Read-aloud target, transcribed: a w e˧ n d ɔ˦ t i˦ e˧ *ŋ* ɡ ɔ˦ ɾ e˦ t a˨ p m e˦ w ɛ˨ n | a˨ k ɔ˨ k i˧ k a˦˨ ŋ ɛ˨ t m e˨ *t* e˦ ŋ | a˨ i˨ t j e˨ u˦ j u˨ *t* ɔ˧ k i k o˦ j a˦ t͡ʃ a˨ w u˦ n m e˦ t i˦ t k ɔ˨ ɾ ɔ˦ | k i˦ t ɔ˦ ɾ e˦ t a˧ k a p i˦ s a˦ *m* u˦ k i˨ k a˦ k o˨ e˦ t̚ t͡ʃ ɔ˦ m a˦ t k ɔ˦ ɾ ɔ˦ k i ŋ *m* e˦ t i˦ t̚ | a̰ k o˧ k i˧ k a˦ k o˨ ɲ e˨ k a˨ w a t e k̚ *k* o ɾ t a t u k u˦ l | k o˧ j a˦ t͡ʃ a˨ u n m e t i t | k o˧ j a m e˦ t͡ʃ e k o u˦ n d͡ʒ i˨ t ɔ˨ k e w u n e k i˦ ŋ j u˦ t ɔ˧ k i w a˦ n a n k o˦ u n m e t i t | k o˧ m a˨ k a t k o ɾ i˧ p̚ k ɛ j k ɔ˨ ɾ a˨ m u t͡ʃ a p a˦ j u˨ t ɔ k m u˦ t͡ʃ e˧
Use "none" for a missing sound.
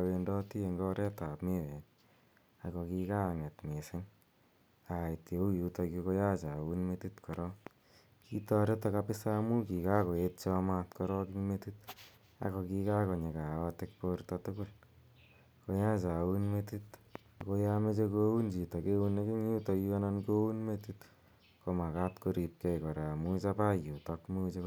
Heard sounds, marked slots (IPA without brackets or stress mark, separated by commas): ŋ, s, t, m, m, p